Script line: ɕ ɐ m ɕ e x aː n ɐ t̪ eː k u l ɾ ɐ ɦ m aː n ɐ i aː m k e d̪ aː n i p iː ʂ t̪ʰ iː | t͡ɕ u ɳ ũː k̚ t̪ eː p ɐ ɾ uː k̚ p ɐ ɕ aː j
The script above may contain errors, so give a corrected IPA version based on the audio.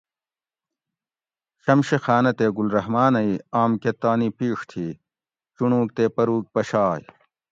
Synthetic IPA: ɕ ɐ m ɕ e x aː n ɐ t̪ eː ɡ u l ɾ ɐ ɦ m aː n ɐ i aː m k e t̪ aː n i p iː ʂ t̪ʰ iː | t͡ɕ u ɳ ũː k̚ t̪ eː p ɐ ɾ uː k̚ p ɐ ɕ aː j